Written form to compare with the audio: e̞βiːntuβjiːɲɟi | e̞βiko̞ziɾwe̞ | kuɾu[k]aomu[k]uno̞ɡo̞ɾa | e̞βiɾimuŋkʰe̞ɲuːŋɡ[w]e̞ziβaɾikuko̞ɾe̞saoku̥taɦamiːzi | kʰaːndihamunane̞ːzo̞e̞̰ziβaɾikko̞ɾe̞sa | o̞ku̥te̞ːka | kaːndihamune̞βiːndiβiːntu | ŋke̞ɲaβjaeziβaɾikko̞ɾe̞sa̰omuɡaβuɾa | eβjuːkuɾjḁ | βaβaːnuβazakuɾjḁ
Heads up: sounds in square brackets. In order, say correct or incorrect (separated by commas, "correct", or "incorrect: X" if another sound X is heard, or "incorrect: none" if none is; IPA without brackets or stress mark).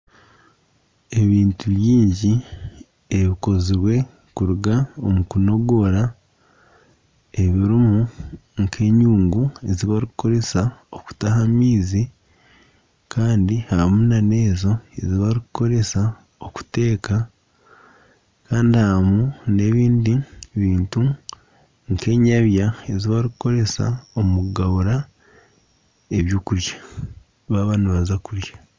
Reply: incorrect: ɡ, correct, incorrect: u